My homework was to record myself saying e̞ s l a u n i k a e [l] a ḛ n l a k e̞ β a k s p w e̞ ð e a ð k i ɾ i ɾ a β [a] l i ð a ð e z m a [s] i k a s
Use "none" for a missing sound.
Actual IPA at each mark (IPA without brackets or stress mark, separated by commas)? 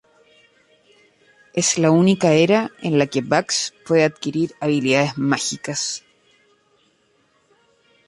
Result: ɾ, i, x